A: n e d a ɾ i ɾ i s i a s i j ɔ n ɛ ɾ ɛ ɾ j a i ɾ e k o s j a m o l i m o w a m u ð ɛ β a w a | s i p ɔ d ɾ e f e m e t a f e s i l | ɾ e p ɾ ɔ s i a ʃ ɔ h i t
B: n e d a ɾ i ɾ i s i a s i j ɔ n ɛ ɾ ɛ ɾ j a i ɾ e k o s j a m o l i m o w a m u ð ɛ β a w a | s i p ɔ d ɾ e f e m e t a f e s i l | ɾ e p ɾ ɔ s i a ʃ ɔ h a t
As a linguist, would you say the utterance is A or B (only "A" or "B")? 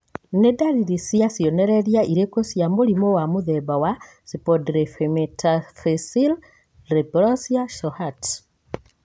B